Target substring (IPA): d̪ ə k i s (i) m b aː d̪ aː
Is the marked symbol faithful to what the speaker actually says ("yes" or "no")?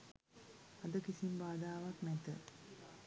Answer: yes